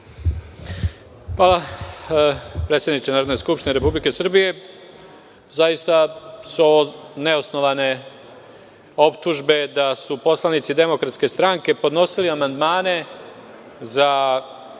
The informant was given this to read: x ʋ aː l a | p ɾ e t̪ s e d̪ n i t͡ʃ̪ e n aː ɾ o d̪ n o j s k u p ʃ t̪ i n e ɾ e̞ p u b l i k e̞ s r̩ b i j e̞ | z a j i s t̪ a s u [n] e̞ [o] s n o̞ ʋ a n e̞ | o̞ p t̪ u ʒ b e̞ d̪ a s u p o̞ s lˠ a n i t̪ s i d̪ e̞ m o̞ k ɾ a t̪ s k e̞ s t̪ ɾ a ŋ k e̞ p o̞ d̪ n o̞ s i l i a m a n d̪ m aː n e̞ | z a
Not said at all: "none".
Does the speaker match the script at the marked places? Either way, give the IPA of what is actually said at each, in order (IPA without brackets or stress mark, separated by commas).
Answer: n, o